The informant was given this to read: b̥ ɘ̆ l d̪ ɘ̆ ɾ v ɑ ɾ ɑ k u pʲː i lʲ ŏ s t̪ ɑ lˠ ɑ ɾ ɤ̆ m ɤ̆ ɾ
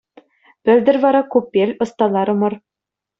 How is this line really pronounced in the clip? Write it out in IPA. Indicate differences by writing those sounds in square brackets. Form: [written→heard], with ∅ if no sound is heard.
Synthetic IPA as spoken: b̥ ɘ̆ l d̪ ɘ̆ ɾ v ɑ ɾ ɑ k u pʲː [i→e] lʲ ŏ s t̪ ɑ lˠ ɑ ɾ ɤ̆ m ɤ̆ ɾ